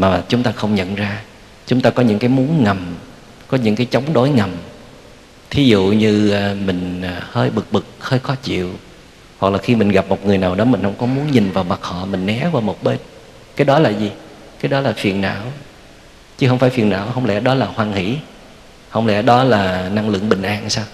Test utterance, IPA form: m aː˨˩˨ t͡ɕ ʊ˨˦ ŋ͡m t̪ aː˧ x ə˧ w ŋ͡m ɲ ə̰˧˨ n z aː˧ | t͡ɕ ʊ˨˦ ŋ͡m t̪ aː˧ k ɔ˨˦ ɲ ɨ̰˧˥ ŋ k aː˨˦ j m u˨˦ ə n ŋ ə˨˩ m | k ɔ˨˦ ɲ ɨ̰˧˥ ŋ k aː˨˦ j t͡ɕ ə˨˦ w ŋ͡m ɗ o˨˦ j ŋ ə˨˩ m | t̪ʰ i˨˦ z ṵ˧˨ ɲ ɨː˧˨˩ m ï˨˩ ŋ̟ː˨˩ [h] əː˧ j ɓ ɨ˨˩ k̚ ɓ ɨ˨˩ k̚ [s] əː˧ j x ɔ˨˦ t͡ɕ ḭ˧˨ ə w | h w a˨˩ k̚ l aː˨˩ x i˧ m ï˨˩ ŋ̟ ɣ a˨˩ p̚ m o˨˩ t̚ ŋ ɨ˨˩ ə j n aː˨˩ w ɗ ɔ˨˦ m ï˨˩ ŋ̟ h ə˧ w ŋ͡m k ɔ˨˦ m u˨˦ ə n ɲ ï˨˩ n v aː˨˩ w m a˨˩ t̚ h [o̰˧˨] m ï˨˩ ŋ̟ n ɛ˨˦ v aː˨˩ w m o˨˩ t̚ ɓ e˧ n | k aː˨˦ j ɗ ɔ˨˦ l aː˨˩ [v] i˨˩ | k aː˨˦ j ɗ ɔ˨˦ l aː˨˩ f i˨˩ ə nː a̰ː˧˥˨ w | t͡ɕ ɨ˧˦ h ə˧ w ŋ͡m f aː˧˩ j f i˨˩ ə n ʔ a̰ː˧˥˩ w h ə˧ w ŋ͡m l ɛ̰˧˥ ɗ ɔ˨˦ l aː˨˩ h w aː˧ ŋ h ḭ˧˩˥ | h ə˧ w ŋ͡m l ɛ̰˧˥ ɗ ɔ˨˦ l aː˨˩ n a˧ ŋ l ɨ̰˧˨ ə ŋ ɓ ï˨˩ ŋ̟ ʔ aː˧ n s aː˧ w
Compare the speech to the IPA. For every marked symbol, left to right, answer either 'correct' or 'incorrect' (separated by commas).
correct, incorrect, incorrect, incorrect